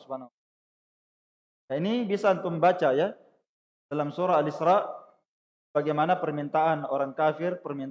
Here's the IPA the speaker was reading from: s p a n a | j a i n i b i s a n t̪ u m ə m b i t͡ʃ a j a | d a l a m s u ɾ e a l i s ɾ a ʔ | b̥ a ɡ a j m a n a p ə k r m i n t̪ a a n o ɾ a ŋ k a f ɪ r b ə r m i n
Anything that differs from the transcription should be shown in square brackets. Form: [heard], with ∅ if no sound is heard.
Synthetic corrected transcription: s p a n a | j a i n i b i s a n t̪ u m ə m b [a] t͡ʃ a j a | d a l a m s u ɾ [a] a l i s ɾ a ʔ | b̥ a ɡ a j m a n a p ə [∅] r m i n t̪ a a n o ɾ a ŋ k a f ɪ r [p] ə r m i n